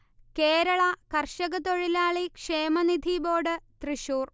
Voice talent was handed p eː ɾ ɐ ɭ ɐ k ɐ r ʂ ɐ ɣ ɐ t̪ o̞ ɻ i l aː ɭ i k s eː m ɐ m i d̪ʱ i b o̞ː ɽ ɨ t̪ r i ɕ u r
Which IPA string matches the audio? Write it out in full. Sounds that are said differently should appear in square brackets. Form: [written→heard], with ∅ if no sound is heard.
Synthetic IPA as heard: [p→k] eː ɾ ɐ ɭ ɐ k ɐ r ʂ ɐ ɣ ɐ t̪ o̞ ɻ i l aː ɭ i k [s→ʂ] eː m ɐ [m→n] i d̪ʱ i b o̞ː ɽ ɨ t̪ r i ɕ [u→uː] r